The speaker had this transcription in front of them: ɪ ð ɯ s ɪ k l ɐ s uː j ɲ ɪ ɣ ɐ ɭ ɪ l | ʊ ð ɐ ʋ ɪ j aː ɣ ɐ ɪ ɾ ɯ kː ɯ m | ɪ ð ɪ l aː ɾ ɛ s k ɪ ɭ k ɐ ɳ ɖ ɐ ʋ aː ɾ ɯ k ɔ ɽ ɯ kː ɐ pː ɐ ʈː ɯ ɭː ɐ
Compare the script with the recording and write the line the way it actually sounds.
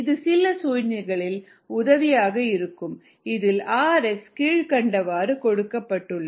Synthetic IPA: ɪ ð ɯ s ɪ l ɐ s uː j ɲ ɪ ɣ ɐ ɭ ɪ l | ʊ ð ɐ ʋ ɪ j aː ɣ ɐ ɪ ɾ ɯ kː ɯ m | ɪ ð ɪ l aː ɾ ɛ s k ɪ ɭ k ɐ ɳ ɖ ɐ ʋ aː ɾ ɯ k ɔ ɽ ɯ kː ɐ pː ɐ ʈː ɯ ɭː ɐ